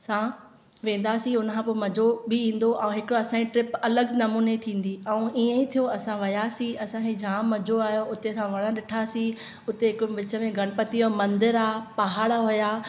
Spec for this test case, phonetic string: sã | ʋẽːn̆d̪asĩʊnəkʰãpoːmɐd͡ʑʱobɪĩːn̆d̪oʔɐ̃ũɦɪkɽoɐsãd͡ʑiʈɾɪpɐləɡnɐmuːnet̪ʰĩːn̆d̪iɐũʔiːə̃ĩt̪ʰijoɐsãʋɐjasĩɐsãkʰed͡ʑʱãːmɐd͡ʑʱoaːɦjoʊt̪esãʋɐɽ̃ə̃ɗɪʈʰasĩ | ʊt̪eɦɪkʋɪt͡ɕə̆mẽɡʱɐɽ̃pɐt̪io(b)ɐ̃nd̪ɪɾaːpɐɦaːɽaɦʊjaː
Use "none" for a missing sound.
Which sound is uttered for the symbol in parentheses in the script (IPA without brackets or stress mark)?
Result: m